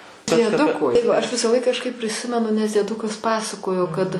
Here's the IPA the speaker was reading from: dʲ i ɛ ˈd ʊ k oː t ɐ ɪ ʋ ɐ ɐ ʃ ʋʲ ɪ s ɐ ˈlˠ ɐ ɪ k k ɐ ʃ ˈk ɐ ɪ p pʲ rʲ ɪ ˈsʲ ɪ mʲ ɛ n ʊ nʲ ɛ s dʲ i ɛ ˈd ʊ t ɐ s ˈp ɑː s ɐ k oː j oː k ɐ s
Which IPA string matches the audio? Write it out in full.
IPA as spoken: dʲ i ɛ ˈd ʊ k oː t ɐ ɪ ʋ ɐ ɐ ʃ ʋʲ ɪ s ɐ ˈlˠ ɐ ɪ k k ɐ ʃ ˈk ɐ ɪ p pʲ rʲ ɪ ˈsʲ ɪ mʲ ɛ n ʊ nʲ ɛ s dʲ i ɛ ˈd ʊ k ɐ s ˈp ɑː s ɐ k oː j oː k ɐ t